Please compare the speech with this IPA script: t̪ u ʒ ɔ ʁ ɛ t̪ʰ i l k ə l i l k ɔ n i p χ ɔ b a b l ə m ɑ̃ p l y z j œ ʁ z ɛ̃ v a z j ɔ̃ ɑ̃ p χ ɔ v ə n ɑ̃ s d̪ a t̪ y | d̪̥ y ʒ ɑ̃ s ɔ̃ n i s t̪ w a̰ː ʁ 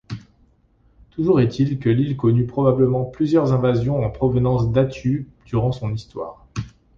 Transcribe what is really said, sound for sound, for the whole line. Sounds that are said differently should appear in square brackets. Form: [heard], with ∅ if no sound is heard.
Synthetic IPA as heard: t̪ u ʒ [u] ʁ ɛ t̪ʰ i l k ə l i l k ɔ n [y] p χ ɔ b a b l ə m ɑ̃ p l y z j œ ʁ z ɛ̃ v a z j ɔ̃ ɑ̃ p χ ɔ v ə n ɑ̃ s d̪ a t̪ y | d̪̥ y [ʁ] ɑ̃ s ɔ̃ n i s t̪ w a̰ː ʁ